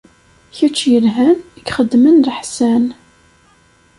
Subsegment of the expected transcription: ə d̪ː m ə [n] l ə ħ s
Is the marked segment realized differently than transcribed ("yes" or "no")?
no